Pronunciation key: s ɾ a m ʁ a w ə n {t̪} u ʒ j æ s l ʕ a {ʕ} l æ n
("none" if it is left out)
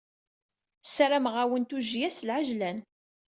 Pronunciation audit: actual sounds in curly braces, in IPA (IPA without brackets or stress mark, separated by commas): t̪, ʒ